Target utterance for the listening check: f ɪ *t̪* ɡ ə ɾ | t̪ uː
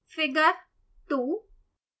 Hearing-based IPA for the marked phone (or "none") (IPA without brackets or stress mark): none